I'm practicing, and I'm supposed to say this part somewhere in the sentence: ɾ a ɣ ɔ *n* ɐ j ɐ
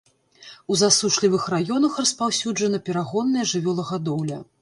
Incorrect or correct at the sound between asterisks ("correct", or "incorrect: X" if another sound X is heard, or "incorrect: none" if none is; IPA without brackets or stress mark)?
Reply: incorrect: nː